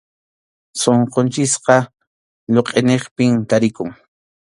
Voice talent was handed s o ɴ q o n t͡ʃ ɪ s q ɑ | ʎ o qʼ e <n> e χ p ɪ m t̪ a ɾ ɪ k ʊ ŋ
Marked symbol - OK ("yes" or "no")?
yes